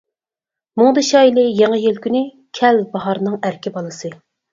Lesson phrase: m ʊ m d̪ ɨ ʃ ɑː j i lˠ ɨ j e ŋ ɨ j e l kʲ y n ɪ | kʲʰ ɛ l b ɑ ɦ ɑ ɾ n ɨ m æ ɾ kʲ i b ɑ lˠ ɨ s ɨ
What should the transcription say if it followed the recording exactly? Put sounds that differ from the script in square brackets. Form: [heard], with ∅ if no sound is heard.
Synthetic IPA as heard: m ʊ [ŋ] d̪ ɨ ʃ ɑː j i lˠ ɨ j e ŋ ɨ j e l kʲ y n ɪ | kʲʰ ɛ l b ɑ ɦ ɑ ɾ n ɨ [ŋ] æ ɾ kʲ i b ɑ lˠ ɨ s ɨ

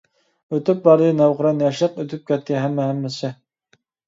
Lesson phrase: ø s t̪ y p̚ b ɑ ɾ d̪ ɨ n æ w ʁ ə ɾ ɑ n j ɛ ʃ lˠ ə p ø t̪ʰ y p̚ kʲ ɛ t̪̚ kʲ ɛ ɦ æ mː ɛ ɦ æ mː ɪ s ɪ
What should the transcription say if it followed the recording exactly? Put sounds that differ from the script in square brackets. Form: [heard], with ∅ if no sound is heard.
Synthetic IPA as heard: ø [∅] t̪ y p̚ b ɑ ɾ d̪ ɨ n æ w ʁ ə ɾ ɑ n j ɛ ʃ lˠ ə [q] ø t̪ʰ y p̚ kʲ ɛ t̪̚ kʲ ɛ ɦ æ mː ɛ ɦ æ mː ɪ s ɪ

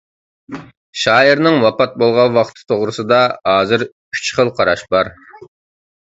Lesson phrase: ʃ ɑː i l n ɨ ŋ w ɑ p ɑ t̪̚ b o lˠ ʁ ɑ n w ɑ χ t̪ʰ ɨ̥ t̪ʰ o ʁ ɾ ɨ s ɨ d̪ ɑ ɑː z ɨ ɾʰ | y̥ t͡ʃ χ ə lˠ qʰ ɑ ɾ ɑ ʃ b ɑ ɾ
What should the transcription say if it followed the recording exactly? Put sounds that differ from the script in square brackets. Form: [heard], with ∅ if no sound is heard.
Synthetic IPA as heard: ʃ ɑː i [ɾ] n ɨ ŋ w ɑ p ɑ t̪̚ b o lˠ ʁ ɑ n w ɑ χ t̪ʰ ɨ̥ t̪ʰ o ʁ ɾ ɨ s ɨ d̪ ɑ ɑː z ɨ ɾʰ | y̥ t͡ʃ χ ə lˠ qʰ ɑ ɾ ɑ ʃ b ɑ ɾ

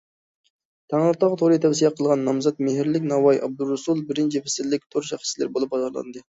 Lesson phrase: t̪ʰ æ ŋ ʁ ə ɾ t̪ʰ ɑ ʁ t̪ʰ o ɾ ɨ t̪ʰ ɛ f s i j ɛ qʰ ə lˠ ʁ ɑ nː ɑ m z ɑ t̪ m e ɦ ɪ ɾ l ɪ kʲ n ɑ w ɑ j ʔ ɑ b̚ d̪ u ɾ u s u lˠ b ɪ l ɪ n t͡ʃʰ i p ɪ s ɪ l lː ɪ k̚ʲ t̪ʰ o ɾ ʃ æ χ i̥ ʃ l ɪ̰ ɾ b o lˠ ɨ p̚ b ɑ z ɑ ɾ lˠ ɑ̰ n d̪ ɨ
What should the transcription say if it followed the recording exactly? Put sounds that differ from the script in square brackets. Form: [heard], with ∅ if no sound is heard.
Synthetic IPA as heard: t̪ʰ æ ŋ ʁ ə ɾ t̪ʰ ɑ ʁ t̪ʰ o ɾ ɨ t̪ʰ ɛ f s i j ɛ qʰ ə lˠ ʁ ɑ nː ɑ m z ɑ t̪ m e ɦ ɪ ɾ l ɪ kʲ n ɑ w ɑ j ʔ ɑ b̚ d̪ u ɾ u s u lˠ b ɪ [ɾ] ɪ n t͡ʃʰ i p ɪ s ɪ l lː ɪ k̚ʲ t̪ʰ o ɾ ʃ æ χ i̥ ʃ l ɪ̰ ɾ b o lˠ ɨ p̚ b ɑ z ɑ ɾ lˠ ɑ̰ n d̪ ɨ

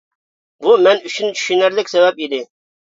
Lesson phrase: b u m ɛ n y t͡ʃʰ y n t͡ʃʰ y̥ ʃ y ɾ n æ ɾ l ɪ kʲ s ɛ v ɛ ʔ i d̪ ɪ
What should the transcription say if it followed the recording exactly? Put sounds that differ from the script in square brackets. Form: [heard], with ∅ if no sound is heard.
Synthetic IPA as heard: b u m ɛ n y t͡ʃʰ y n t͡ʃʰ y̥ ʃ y [∅] n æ ɾ l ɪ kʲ s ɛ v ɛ [p] i d̪ ɪ

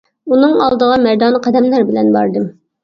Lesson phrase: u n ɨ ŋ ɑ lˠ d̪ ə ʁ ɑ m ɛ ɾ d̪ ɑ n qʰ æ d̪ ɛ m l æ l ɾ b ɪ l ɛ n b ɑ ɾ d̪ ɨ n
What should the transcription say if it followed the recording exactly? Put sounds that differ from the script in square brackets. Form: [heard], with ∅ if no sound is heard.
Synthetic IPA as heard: u n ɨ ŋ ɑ lˠ d̪ ə ʁ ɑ m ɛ ɾ d̪ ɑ n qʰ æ d̪ ɛ m l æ [∅] ɾ b ɪ l ɛ n b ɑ ɾ d̪ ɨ [m]

